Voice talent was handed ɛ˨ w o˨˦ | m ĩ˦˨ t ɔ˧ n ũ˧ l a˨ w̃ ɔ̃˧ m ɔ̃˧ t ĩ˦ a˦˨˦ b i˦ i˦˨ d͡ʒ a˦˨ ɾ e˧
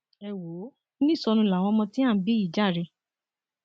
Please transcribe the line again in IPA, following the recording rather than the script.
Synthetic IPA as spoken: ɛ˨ w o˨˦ | n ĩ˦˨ s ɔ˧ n ũ˧ l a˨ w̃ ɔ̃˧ m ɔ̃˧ t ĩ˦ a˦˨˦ b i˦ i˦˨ d͡ʒ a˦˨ ɾ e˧